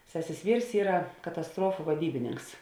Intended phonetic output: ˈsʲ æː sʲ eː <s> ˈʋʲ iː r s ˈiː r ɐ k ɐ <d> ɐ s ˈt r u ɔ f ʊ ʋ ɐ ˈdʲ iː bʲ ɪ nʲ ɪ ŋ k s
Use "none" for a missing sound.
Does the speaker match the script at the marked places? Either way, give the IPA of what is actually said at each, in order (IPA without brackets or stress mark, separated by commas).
s, t